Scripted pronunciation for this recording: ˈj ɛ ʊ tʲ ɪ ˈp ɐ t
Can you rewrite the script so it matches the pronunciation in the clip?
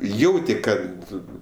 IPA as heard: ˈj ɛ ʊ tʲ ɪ ˈk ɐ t